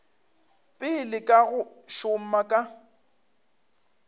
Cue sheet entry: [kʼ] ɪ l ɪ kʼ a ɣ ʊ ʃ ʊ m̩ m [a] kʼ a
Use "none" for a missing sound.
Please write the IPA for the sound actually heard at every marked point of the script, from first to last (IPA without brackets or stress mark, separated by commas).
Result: pʼ, a